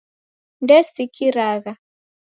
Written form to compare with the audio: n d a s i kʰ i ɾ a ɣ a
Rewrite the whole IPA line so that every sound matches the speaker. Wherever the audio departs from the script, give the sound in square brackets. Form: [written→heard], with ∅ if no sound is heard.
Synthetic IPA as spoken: n d [a→ɛ] s i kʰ i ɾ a ɣ a